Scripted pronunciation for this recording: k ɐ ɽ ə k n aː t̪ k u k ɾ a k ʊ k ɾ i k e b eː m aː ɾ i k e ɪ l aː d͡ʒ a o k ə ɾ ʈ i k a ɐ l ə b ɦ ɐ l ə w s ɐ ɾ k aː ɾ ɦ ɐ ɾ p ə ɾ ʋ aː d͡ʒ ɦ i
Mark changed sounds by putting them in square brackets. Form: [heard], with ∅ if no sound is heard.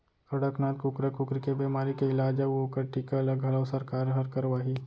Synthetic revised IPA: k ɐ ɽ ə k n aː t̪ k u k ɾ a k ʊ k ɾ i k e b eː m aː ɾ i k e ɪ l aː d͡ʒ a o k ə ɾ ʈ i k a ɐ l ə [ɡ] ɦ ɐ l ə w s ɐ ɾ k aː ɾ ɦ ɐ ɾ [k] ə ɾ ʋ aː [∅] ɦ i